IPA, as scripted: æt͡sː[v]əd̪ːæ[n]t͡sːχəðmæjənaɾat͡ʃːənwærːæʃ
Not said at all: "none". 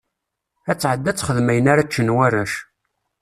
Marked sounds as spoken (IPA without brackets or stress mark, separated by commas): ʕ, none